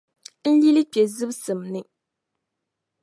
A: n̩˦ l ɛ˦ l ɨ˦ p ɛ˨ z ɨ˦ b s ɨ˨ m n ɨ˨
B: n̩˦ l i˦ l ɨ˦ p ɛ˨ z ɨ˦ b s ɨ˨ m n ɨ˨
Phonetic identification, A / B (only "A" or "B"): B